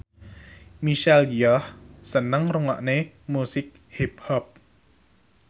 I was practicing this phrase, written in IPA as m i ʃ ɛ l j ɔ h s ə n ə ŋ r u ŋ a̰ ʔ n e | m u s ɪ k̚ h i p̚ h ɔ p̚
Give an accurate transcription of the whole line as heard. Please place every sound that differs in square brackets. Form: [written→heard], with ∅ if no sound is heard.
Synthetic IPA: m i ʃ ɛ l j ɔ h s ə n ə ŋ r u ŋ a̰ ʔ n e | m u s ɪ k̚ h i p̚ h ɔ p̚

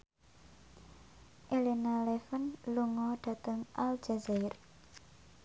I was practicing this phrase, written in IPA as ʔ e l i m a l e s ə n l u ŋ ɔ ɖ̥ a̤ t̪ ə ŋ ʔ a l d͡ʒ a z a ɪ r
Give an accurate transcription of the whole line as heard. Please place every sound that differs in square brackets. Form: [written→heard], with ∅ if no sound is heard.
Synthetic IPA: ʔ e l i [m→n] a l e [s→f] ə n l u ŋ ɔ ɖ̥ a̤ t̪ ə ŋ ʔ a l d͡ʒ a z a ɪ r

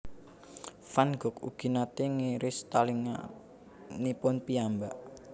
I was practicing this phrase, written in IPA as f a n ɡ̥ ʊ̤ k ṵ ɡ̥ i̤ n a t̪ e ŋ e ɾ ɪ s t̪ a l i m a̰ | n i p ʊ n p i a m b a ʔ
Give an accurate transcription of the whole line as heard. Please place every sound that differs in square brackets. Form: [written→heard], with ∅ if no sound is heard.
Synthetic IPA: f a n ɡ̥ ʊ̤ k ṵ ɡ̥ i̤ n a t̪ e ŋ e ɾ ɪ s t̪ a l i [m→ŋ] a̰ | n i p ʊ n p i a m b a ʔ

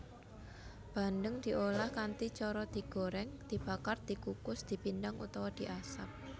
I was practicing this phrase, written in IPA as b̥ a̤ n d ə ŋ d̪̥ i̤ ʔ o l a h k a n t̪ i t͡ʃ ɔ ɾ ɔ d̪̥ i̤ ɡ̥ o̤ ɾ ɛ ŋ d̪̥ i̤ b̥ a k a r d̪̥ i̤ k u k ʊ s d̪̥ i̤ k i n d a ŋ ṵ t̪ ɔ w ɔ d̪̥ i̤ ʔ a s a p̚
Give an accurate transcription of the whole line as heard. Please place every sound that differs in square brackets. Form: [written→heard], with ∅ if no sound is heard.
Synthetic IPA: b̥ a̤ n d ə ŋ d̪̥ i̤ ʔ o l a h k a n t̪ i t͡ʃ ɔ ɾ ɔ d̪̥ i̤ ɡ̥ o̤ ɾ ɛ ŋ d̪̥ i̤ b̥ a k a r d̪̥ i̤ k u k ʊ s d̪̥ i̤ [k→p] i n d a ŋ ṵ t̪ ɔ w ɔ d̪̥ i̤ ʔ a s a p̚

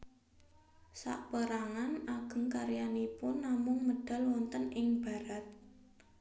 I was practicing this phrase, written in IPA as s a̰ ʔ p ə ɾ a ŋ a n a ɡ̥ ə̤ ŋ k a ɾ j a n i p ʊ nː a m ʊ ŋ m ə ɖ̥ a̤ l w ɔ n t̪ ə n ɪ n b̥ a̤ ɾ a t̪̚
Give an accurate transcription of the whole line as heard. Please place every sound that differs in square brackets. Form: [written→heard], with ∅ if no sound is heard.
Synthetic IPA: s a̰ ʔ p ə ɾ a ŋ a n a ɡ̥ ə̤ ŋ k a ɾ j a n i p ʊ nː a m ʊ ŋ m ə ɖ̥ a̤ l w ɔ n t̪ ə n ɪ [n→ŋ] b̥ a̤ ɾ a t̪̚

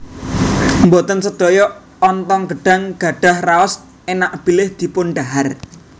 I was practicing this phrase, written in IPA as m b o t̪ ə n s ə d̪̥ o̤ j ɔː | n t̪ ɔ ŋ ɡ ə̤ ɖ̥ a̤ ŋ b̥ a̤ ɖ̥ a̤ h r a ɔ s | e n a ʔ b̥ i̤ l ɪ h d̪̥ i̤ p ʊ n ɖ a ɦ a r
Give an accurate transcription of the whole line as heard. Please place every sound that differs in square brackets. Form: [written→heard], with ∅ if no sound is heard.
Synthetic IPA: m b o t̪ ə n s ə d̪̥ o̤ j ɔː | n t̪ ɔ ŋ ɡ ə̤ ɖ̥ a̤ ŋ [b̥→ɡ̥] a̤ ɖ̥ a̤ h r a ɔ s | e n a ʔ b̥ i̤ l ɪ h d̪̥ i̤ p ʊ n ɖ a ɦ a r

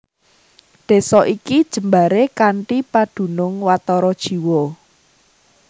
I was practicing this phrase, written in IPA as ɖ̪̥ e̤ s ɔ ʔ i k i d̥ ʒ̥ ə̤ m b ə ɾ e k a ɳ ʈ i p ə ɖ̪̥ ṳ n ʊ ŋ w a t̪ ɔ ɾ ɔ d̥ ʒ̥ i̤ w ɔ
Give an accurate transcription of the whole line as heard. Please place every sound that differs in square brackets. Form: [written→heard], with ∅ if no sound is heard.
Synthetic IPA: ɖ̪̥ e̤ s ɔ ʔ i k i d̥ ʒ̥ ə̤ m b [ə→a] ɾ e k a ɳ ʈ i p [ə→a] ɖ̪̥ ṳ n ʊ ŋ w a t̪ ɔ ɾ ɔ d̥ ʒ̥ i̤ w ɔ

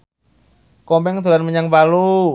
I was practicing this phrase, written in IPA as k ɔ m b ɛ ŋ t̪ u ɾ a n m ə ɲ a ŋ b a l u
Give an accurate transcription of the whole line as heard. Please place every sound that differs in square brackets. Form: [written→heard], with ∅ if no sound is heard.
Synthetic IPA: k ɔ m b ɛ ŋ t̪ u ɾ a n m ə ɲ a ŋ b a l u

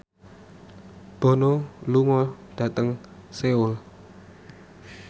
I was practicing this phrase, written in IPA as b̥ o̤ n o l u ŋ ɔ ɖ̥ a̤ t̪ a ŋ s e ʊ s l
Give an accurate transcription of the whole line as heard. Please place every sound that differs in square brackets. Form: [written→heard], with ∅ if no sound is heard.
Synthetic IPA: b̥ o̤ n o l u ŋ ɔ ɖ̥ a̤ t̪ [a→ə] ŋ s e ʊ [s→∅] l

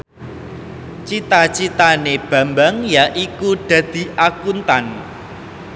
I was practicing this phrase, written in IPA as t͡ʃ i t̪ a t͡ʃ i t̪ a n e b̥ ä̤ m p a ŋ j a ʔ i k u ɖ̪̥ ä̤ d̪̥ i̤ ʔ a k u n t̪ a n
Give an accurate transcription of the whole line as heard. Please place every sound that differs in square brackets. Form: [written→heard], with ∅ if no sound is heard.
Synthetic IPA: t͡ʃ i t̪ a t͡ʃ i t̪ a n e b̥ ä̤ m [p→b] a ŋ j a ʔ i k u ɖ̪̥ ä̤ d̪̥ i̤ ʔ a k u n t̪ a n

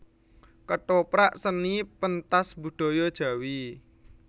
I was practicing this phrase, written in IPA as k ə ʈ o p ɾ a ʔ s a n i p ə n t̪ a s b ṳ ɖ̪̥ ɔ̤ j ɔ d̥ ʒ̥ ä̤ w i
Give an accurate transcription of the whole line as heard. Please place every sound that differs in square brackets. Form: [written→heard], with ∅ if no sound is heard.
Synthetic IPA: k ə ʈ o p ɾ a ʔ s [a→ə] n i p ə n t̪ a s b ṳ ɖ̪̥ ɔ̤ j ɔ d̥ ʒ̥ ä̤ w i

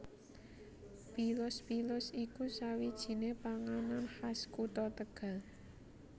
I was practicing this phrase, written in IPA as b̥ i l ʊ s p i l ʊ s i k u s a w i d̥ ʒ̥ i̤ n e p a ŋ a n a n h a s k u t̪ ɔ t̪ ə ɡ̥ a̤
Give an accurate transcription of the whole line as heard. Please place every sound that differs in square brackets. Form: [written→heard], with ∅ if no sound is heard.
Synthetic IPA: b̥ i l ʊ s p i l ʊ s i k u s a w i d̥ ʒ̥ i̤ n e p a ŋ a n a n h a s k u t̪ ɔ t̪ ə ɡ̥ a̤

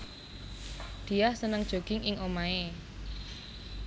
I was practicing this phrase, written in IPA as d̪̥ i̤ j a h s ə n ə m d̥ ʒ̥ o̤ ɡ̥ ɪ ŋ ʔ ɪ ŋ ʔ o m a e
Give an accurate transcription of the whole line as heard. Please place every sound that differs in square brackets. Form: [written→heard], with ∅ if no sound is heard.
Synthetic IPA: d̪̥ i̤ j a h s ə n ə [m→ŋ] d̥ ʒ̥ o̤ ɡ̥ ɪ ŋ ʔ ɪ ŋ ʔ o m a e

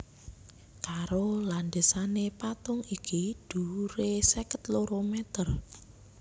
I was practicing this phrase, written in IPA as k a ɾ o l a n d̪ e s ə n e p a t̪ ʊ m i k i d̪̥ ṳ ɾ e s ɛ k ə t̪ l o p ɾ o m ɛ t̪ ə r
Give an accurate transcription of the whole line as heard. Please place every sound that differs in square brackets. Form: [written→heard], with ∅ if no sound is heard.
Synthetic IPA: k a ɾ o l a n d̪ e s [ə→a] n e p a t̪ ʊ [m→ŋ] i k i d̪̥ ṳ ɾ e s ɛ k ə t̪ l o [p→∅] ɾ o m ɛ t̪ ə r

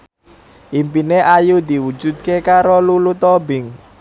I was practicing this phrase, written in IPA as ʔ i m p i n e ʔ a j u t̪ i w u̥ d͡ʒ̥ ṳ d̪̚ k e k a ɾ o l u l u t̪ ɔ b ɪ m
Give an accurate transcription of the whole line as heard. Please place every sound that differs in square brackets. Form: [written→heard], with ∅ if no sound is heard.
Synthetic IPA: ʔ i m p i n e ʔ a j u [t̪→d̪] i w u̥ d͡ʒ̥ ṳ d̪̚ k e k a ɾ o l u l u t̪ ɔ b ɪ [m→ŋ]

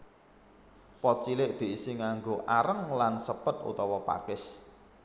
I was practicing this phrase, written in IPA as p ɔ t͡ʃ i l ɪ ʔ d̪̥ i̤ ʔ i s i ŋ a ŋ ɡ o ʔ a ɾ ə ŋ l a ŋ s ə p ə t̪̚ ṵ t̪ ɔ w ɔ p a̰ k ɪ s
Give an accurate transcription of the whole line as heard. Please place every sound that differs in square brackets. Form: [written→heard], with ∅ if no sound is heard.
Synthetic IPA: p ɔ t͡ʃ i l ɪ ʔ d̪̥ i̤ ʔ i s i ŋ a ŋ ɡ o ʔ a ɾ ə ŋ l a [ŋ→n] s ə p ə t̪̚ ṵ t̪ ɔ w ɔ p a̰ k ɪ s

